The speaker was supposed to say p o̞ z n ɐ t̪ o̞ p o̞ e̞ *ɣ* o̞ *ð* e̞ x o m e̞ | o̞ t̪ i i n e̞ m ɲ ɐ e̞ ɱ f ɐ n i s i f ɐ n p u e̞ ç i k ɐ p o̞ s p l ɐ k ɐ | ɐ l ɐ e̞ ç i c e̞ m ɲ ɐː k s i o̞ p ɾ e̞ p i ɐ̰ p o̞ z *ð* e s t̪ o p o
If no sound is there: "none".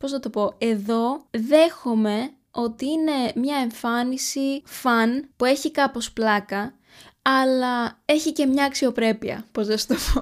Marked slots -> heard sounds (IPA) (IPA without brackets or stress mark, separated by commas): ð, ð, ð